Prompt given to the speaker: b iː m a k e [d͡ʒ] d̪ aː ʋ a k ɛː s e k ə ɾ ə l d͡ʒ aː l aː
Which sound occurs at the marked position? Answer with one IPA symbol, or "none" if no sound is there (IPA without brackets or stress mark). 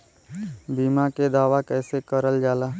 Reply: none